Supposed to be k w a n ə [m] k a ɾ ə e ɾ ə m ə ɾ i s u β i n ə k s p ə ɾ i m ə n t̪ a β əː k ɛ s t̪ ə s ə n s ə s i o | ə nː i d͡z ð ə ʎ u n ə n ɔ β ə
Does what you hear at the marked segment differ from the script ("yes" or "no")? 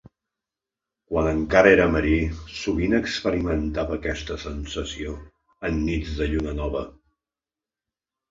yes